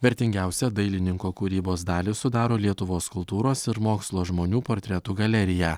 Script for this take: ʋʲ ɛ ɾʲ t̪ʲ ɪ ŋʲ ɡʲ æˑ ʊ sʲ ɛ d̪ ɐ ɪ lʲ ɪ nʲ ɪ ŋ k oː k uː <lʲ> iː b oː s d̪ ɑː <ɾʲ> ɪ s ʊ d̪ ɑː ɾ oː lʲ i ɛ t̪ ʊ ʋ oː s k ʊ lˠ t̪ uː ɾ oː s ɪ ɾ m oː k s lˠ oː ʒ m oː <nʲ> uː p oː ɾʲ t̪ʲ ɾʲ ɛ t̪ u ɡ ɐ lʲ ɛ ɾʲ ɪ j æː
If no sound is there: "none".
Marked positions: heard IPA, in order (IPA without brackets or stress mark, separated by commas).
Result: ɾʲ, lʲ, nʲ